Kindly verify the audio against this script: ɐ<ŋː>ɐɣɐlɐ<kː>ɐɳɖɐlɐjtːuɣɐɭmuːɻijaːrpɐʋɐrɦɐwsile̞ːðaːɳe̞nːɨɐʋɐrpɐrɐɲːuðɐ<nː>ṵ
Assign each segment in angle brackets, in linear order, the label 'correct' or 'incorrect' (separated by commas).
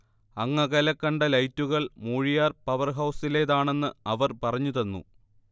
correct, correct, correct